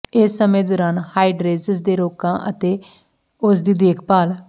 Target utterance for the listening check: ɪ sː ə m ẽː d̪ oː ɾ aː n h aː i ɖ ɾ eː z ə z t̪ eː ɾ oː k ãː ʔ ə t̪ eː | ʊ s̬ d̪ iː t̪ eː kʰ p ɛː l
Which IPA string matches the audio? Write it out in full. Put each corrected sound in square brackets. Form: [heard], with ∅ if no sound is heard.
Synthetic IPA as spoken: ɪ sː ə m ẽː d̪ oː ɾ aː n h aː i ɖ ɾ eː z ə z [d̪] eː ɾ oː k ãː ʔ ə t̪ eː | ʊ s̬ d̪ iː [d̪] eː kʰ p [aː] l